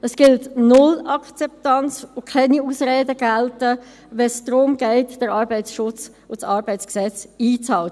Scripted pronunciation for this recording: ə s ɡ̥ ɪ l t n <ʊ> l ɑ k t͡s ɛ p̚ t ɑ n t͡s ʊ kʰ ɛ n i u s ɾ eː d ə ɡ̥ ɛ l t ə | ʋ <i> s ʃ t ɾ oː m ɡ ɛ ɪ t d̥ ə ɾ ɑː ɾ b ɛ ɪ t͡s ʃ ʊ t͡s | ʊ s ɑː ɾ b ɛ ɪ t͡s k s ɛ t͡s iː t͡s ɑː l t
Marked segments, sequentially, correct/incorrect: correct, incorrect

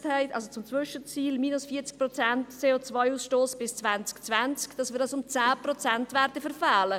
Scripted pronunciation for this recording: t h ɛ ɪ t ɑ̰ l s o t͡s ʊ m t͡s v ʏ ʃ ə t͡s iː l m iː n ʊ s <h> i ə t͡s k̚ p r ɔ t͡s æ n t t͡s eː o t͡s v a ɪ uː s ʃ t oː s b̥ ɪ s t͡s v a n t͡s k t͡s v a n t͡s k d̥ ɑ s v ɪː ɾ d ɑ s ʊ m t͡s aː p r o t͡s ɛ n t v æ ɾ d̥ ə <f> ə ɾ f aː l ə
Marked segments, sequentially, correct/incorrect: incorrect, correct

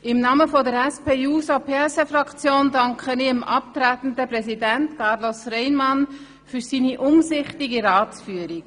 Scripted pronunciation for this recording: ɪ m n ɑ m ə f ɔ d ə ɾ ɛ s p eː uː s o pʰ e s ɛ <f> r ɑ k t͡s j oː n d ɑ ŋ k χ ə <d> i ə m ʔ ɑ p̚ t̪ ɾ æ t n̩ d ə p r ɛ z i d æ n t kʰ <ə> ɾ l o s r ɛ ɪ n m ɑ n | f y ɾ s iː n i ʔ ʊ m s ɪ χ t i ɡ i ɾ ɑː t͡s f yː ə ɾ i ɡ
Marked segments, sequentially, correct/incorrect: correct, incorrect, incorrect

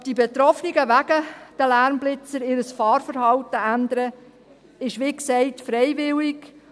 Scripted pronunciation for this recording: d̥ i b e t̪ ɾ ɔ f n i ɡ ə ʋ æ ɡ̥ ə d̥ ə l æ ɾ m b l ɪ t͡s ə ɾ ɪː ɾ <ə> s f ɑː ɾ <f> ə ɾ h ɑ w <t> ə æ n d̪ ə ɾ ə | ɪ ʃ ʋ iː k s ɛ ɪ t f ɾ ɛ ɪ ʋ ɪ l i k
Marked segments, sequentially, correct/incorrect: correct, correct, correct

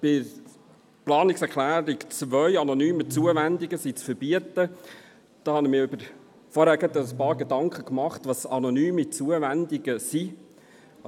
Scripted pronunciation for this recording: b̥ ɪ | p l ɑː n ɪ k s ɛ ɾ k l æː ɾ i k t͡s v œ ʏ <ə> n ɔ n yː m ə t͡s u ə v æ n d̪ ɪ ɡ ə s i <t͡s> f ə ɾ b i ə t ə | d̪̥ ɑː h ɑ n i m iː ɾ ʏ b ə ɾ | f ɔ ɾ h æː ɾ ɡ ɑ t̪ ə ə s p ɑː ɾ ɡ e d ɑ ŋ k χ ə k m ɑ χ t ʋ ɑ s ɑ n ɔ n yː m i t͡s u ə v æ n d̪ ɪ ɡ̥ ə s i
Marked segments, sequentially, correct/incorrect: incorrect, correct

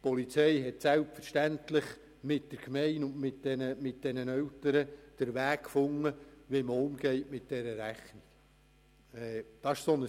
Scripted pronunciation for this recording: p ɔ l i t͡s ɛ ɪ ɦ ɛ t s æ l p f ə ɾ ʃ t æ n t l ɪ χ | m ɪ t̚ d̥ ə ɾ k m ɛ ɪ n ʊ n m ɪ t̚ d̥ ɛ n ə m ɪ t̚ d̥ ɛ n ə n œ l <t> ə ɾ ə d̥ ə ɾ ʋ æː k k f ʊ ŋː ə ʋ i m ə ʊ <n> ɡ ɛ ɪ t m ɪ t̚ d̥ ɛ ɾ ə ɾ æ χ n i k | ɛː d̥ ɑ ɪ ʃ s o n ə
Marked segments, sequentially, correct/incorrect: correct, incorrect

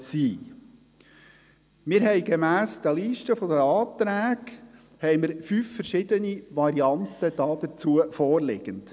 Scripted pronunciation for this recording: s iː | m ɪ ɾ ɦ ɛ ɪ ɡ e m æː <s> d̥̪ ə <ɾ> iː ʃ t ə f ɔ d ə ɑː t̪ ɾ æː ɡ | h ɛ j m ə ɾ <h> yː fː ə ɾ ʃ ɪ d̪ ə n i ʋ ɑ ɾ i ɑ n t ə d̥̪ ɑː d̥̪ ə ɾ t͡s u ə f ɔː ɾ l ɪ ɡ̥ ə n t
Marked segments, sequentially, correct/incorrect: correct, incorrect, incorrect

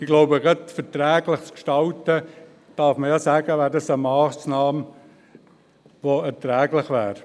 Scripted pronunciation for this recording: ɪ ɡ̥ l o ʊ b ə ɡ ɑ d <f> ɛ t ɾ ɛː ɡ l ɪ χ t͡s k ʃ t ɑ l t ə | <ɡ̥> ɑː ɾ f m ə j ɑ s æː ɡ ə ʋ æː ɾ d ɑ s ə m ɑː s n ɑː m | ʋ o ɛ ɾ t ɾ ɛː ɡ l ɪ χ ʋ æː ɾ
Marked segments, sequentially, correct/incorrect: correct, incorrect

